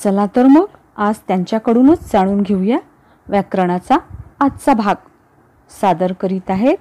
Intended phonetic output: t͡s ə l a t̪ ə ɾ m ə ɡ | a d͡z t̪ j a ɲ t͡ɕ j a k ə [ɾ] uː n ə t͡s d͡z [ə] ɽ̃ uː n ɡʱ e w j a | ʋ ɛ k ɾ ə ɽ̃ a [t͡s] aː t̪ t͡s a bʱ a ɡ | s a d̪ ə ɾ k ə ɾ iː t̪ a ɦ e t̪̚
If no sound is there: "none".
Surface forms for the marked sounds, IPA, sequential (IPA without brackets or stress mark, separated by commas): ɽ, a, t͡s